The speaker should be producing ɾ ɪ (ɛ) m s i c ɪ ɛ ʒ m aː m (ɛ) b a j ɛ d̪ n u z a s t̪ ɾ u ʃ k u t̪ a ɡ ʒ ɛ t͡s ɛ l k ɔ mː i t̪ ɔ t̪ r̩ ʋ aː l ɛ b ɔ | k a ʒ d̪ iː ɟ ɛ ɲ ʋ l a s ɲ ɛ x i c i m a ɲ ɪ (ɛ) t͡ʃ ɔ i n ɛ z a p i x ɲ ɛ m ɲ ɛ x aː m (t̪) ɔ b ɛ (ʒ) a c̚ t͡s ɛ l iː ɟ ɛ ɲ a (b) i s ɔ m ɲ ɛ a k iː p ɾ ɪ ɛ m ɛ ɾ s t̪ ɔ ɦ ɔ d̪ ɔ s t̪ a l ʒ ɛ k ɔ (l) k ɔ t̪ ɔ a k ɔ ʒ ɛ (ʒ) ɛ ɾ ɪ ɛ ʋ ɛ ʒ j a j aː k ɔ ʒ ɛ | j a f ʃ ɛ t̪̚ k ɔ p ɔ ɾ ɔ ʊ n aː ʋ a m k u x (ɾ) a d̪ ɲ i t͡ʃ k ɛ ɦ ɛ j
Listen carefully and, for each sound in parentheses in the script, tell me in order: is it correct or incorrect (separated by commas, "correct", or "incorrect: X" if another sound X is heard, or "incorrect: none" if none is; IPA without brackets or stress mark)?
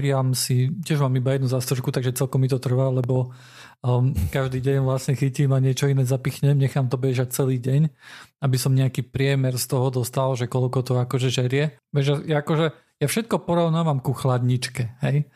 incorrect: a, incorrect: i, correct, correct, correct, correct, correct, correct, incorrect: l